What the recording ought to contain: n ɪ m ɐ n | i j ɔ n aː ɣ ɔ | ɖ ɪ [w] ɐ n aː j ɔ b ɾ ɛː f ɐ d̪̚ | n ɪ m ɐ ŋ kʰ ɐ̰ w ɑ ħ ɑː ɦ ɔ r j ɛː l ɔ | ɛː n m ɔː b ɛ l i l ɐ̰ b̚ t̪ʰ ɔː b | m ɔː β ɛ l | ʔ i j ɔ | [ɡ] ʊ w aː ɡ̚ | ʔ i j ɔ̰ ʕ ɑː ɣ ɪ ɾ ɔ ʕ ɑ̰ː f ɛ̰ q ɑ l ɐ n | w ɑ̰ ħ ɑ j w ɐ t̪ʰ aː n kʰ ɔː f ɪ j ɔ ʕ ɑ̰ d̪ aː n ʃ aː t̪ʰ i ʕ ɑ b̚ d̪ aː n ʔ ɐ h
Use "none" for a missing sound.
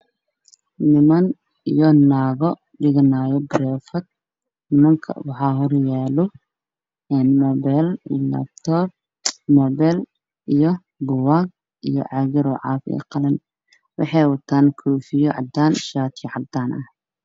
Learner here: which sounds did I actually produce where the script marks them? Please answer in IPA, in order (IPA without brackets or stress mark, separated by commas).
ɣ, b